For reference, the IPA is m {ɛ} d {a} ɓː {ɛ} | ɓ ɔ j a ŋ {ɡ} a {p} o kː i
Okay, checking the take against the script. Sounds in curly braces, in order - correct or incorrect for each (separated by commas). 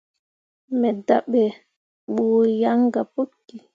correct, correct, correct, correct, correct